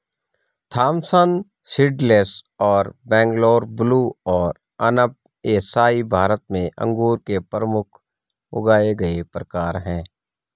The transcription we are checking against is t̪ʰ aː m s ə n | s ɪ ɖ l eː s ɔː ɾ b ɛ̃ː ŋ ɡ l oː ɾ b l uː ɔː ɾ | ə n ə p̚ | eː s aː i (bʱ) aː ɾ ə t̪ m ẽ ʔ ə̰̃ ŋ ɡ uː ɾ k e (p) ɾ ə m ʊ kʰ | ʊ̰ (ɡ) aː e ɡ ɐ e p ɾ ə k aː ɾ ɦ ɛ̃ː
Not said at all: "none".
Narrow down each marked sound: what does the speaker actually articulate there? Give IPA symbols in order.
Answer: bʱ, p, ɡ

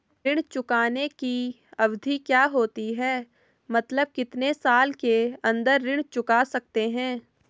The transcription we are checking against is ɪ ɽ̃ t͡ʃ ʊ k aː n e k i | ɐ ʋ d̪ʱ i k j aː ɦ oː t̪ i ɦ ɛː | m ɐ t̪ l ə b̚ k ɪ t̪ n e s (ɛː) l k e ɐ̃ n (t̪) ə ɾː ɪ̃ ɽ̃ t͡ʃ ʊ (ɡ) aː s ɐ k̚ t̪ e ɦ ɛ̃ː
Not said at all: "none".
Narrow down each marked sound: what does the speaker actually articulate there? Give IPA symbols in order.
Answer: aː, d̪, k

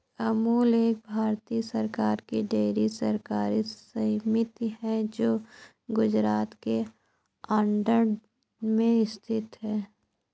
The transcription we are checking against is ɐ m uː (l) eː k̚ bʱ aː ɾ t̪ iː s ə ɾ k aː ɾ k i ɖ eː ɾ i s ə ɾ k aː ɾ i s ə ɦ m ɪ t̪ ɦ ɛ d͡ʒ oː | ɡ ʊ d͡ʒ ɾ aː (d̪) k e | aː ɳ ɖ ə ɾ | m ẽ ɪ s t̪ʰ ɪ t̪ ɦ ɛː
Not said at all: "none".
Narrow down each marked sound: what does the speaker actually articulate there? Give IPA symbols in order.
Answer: l, t̪

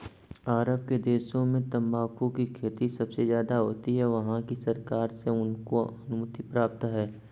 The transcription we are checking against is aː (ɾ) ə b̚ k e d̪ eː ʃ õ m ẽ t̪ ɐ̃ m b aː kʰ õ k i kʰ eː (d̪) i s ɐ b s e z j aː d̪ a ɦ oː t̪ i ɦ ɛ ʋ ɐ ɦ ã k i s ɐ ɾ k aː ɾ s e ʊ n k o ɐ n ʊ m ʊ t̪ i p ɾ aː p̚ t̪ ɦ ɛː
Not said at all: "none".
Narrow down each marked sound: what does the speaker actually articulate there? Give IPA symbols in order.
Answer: ɾ, t̪

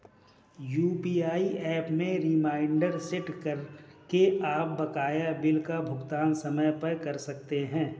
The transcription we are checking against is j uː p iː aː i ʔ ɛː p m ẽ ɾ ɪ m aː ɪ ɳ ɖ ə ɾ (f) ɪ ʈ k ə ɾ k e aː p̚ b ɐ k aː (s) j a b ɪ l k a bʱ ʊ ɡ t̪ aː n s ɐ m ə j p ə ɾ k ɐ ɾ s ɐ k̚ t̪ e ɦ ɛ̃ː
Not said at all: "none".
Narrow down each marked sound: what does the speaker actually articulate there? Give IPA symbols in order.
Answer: s, none

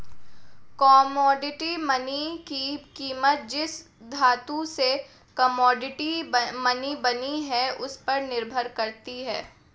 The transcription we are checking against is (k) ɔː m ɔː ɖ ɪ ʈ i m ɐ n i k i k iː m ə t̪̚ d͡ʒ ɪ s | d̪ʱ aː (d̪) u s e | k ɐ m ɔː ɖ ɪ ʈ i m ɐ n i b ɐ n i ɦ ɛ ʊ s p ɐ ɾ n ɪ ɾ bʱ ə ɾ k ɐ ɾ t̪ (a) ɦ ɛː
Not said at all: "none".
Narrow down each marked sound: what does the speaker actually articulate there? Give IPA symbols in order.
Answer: k, t̪, i

